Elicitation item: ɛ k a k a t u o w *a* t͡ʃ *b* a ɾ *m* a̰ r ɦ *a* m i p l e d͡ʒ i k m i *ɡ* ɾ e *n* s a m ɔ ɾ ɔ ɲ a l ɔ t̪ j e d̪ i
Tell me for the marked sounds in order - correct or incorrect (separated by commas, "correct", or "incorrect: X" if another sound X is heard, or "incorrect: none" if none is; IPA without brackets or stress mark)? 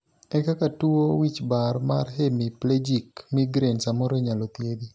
incorrect: i, correct, correct, incorrect: e, correct, correct